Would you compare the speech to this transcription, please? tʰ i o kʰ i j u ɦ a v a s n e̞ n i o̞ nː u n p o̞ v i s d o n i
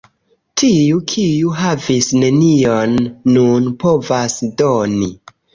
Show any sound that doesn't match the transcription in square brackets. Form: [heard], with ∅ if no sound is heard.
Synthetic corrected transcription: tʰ i [u] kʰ i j u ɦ a v [i] s n e̞ n i o̞ nː u n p o̞ v [a] s d o n i